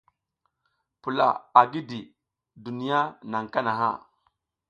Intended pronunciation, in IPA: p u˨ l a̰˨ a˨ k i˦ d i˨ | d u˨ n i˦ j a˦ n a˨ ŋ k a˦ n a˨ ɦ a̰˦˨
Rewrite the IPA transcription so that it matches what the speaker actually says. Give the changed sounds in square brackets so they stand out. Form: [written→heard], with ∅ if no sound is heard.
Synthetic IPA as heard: p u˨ l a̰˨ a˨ [k→ɡ] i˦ d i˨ | d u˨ n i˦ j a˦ n a˨ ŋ k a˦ n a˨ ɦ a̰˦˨